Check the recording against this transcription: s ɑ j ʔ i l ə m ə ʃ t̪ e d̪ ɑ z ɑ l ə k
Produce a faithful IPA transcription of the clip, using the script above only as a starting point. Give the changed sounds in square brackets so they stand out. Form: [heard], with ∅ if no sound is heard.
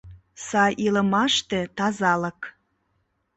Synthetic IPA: s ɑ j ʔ i l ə m [ɑ] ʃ t̪ e [t̪] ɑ z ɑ l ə k